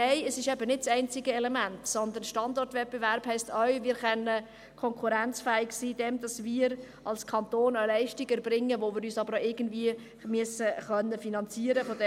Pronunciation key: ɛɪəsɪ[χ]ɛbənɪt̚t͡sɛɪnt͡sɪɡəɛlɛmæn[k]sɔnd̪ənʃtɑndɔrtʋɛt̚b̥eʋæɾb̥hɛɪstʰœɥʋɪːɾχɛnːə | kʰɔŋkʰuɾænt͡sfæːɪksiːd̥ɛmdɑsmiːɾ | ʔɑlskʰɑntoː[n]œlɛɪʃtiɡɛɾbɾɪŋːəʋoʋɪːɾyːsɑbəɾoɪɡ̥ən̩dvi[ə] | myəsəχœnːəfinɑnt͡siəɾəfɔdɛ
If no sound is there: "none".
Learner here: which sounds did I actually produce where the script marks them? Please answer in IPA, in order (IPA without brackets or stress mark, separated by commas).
ʃ, t, n, ə